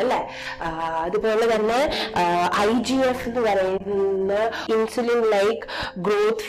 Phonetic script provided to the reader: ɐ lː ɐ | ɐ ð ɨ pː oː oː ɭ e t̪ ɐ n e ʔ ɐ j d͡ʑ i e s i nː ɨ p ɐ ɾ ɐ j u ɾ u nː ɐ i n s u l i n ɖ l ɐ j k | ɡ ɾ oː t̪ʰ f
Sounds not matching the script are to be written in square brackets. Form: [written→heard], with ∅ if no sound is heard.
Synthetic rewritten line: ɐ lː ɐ | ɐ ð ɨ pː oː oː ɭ e t̪ ɐ [n→nː] e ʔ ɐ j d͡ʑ i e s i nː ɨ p ɐ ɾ ɐ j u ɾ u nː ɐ i n s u l i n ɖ l ɐ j k | ɡ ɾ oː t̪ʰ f